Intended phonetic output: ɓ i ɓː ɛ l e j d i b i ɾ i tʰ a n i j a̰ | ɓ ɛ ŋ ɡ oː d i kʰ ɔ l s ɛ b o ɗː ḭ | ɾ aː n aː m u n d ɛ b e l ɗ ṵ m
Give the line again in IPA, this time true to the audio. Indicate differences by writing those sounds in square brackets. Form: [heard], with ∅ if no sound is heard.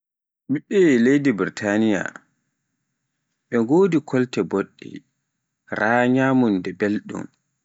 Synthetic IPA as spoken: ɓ i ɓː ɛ l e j d i b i ɾ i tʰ a n i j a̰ | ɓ ɛ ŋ ɡ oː d i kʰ ɔ l [t] ɛ b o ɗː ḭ | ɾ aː [ɲ] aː m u n d ɛ b e l ɗ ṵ m